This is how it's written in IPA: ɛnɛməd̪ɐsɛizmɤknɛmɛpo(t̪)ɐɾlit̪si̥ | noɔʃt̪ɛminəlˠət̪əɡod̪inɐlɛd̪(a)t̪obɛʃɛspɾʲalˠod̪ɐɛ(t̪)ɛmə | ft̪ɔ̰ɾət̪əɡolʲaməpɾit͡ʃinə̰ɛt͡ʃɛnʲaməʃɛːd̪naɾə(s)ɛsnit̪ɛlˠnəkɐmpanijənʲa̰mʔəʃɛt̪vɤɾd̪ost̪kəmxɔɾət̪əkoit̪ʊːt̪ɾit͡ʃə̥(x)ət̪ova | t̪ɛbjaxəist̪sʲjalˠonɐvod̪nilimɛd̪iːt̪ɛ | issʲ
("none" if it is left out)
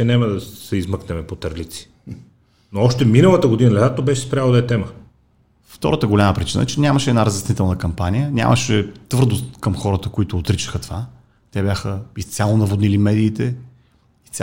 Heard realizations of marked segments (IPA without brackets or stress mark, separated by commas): t̪, a, t̪, z, x